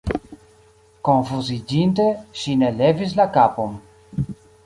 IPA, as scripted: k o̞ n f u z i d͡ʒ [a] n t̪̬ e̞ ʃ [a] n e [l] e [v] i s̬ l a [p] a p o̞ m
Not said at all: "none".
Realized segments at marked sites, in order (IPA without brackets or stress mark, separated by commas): i, i, l, v, k